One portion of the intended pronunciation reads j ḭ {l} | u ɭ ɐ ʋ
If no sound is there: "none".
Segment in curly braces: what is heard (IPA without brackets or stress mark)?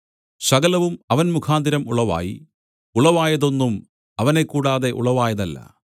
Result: none